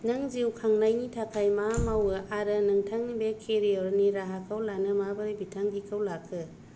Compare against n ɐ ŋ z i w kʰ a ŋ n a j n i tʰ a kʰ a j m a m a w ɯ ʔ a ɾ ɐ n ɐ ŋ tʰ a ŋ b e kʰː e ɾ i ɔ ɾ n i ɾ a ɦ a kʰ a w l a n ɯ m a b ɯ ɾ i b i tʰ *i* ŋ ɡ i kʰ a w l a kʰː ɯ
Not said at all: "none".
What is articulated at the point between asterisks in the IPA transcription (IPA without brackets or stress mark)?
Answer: a